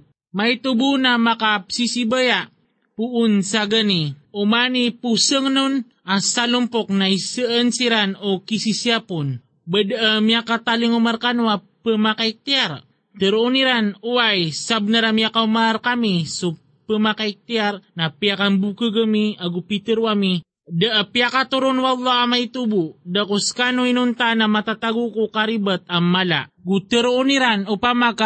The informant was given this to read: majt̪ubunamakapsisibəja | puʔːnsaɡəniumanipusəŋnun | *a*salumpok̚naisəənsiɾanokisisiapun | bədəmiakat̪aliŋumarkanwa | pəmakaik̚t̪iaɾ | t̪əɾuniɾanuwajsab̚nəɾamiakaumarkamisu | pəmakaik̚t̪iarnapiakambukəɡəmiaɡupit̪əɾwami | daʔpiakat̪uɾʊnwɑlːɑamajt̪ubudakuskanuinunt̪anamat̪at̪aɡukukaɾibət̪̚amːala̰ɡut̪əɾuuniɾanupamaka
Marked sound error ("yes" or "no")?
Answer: no